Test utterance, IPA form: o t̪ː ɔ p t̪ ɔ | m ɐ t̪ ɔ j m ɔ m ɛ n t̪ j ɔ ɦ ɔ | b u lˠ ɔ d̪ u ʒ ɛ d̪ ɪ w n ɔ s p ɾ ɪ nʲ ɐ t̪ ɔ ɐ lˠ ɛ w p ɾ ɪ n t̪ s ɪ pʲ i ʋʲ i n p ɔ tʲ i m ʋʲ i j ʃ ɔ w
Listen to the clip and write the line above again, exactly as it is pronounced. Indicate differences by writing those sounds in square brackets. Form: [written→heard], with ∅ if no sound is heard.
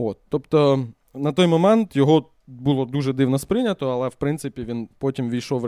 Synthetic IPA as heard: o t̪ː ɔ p t̪ ɔ | [m→n] ɐ t̪ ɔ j m ɔ m ɛ n t̪ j ɔ ɦ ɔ | b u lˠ ɔ d̪ u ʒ ɛ d̪ ɪ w n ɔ s p ɾ ɪ nʲ ɐ t̪ ɔ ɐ lˠ ɛ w p ɾ ɪ n t̪ s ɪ pʲ i ʋʲ i n p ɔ tʲ i m ʋʲ i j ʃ ɔ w